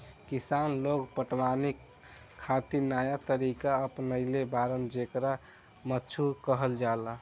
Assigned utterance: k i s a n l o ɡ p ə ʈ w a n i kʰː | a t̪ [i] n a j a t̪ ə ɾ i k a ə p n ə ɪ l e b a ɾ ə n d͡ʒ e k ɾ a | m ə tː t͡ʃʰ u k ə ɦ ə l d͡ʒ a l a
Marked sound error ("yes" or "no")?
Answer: no